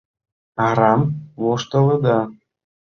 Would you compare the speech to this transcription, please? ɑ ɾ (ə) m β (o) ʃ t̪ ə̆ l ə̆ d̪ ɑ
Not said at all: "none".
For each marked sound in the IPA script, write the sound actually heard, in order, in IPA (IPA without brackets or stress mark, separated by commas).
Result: ɑ, o